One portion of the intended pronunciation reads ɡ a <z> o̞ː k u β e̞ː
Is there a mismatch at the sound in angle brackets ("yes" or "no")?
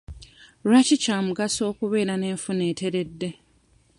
yes